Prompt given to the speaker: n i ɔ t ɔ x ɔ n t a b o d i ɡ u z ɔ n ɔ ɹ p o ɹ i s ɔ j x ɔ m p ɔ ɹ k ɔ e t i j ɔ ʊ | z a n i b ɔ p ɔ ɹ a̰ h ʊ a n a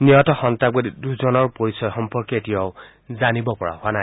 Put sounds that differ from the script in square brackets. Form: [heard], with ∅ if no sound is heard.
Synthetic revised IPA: n i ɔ t ɔ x ɔ n t a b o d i [d] u z ɔ n ɔ ɹ p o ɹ i s ɔ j x ɔ m p ɔ ɹ k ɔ e t i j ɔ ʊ | z a n i b ɔ p ɔ ɹ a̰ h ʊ a n a